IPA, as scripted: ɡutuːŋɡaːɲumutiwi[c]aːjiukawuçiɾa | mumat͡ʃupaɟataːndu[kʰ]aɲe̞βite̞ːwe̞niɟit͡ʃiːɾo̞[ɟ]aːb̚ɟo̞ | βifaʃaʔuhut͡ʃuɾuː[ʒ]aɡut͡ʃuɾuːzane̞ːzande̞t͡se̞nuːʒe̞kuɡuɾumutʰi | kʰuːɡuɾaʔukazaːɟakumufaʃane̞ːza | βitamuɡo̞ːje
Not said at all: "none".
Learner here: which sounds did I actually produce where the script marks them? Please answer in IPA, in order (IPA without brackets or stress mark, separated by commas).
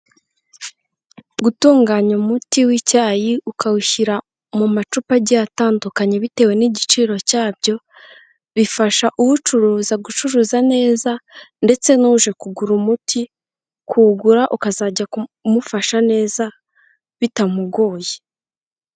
c, k, c, z